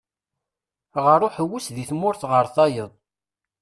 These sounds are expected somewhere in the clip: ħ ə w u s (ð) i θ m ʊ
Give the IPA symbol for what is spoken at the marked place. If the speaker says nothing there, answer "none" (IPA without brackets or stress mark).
ð